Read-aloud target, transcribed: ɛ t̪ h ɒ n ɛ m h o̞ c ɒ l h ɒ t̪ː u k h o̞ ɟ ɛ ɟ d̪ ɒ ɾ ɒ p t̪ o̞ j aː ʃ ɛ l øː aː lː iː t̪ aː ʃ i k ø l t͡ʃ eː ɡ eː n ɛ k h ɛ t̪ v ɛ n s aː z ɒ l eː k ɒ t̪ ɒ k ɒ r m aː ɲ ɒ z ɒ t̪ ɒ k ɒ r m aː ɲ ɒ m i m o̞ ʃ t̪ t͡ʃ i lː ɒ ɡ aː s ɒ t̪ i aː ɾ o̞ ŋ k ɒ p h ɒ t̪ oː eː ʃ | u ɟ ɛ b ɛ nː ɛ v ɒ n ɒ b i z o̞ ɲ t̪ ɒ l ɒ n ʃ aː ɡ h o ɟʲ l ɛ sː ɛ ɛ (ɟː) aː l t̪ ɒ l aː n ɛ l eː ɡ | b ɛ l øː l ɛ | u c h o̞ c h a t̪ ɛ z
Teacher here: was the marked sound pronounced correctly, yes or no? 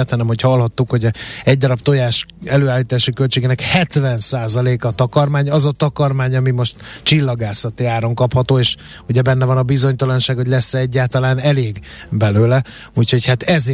yes